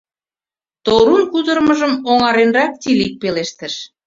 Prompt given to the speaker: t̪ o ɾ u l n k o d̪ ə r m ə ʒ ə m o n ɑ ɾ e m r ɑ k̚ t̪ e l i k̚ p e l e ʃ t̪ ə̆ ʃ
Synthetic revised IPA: t̪ o ɾ u n k u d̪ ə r m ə ʒ ə m o ŋ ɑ ɾ e n r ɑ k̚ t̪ i l i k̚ p e l e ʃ t̪ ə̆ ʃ